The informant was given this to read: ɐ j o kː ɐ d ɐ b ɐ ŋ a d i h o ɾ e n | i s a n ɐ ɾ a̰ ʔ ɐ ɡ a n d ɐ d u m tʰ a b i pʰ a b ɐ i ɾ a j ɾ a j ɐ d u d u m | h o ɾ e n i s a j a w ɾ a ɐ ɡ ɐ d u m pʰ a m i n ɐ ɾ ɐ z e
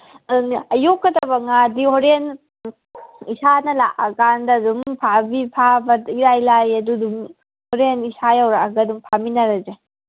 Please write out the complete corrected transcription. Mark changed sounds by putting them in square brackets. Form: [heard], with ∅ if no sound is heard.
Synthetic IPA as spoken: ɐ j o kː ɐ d ɐ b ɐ ŋ a d i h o ɾ e n | i s a n ɐ [l] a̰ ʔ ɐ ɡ a n d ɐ d u m [pʰ] a b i pʰ a b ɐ i ɾ a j [l] a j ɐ d u d u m | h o ɾ e n i s a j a w ɾ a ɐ ɡ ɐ d u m pʰ a m i n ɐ ɾ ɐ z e